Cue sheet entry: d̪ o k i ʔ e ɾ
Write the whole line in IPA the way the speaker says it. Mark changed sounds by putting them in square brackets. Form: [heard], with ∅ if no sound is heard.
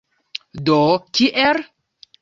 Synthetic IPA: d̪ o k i ʔ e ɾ